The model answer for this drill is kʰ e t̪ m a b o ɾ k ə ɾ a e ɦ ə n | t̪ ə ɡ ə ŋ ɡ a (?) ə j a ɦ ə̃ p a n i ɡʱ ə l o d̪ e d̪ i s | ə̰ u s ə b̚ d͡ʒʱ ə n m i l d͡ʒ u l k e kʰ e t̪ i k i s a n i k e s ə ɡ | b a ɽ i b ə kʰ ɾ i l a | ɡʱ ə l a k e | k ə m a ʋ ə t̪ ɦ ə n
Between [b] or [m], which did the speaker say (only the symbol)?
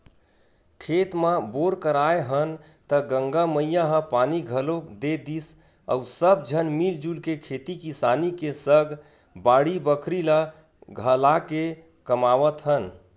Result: m